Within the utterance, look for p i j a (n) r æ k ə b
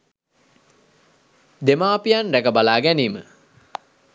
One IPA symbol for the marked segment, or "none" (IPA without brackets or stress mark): n